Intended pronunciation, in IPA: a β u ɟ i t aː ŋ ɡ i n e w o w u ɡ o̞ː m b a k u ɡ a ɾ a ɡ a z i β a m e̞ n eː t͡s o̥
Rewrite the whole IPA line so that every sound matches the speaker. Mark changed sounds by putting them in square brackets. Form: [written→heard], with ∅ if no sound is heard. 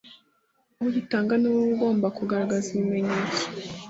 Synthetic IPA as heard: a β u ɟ i t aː ŋ ɡ [i→a] n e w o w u ɡ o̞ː m b a k u ɡ a ɾ a ɡ a z i β [a→i] m e̞ [n→ɲ] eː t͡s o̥

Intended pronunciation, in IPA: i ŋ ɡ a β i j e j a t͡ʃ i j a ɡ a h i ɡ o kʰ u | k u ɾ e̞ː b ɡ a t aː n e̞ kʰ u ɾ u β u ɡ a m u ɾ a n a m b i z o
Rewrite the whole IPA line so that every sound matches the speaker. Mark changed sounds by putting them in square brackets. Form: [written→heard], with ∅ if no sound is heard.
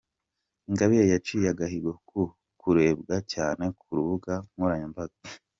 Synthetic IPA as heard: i ŋ ɡ a β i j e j a t͡ʃ i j a ɡ a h i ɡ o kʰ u | k u ɾ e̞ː b ɡ a [t→c] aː n e̞ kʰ u ɾ u β u ɡ a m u ɾ a [n→ɲ] a m b [i→a] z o

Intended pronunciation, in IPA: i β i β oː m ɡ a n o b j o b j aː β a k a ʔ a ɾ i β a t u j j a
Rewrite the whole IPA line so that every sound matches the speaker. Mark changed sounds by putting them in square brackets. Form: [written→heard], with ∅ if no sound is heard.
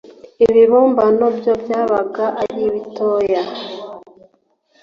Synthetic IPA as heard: i β i β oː m [ɡ→b] a n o b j o b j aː β a [k→ɡ] a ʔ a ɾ i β [a→i] t [u→o] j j a

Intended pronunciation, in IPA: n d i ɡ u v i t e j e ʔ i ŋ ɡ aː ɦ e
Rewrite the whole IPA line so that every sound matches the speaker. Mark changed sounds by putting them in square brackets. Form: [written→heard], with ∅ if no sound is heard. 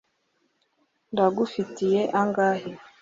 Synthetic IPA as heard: n d [i→a] ɡ u [v→f] i t [e→i] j e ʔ [i→a] ŋ ɡ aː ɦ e

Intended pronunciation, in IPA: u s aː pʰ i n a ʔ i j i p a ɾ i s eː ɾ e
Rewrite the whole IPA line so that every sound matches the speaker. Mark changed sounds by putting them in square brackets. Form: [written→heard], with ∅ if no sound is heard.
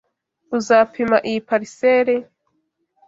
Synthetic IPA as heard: u [s→z] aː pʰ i [n→m] a ʔ i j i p a ɾ i s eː ɾ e

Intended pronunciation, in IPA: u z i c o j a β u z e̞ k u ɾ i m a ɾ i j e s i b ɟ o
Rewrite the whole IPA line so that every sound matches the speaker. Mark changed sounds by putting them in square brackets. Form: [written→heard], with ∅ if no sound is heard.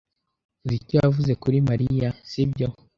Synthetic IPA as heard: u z i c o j a [β→v] u z e̞ k u ɾ i m a ɾ i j [e→a] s i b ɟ o

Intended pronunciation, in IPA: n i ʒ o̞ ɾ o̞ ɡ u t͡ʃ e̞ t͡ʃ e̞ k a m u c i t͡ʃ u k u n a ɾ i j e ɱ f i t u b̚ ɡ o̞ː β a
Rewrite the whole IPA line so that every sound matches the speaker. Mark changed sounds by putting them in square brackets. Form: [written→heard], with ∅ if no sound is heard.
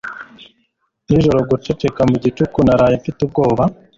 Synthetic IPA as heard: n i ʒ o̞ ɾ o̞ ɡ u t͡ʃ e̞ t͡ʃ e̞ k a m u [c→ɟ] i t͡ʃ u k u n a ɾ [i→a] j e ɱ f i t u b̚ ɡ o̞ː β a

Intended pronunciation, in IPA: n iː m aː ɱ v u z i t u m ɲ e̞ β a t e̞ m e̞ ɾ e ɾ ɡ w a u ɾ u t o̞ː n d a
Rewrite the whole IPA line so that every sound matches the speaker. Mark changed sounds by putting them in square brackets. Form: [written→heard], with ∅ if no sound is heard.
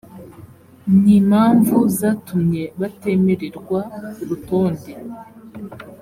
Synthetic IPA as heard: n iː m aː ɱ v u z [i→a] t u m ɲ e̞ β a t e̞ m e̞ ɾ e ɾ ɡ w a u ɾ u t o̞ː n d [a→e]

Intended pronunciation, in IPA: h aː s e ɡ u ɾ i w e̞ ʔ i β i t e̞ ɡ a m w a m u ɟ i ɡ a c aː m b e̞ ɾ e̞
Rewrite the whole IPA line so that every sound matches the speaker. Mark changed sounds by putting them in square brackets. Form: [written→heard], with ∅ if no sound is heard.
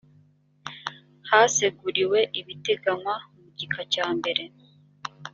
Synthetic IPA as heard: h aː s e ɡ u ɾ i w e̞ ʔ i β i t e̞ ɡ a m w a m u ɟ i [ɡ→k] a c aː m b e̞ ɾ e̞

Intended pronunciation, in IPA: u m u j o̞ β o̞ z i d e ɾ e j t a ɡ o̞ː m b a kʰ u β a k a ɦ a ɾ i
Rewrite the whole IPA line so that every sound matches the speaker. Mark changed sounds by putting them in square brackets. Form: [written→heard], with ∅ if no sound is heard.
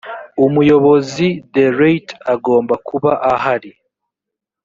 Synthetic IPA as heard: u m u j o̞ β o̞ z i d e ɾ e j t a ɡ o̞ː m b a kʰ u β a [k→ʔ] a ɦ a ɾ i

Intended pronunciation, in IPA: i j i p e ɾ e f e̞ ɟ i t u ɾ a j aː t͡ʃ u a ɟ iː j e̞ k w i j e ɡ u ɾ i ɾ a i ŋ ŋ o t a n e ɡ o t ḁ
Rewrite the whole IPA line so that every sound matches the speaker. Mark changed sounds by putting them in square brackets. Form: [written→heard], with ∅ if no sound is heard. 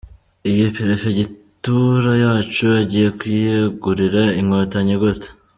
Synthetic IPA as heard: i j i p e ɾ e f e̞ ɟ i t u ɾ a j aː t͡ʃ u a ɟ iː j e̞ k w i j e ɡ u ɾ i ɾ a i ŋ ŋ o t a [n→ɲ] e ɡ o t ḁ

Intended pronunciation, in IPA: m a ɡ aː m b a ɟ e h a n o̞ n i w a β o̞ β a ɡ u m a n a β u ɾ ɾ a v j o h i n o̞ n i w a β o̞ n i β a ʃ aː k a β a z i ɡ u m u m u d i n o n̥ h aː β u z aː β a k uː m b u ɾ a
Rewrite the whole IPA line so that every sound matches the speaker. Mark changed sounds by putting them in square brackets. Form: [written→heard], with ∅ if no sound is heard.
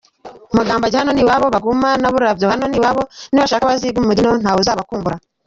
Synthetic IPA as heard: m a ɡ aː m b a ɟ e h a n o̞ n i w a β o̞ β a ɡ u m a n a β u ɾ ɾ a v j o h [i→a] n o̞ n i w a β o̞ n i β a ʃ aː k a β a z i ɡ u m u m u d i n o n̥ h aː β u z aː β a k uː m b u ɾ a

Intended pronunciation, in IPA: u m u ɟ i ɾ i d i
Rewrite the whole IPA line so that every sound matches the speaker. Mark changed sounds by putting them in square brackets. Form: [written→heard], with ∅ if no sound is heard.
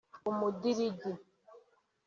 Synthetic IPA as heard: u m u [ɟ→d] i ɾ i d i

